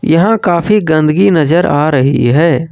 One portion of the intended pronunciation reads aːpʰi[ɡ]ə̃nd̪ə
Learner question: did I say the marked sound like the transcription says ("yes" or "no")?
yes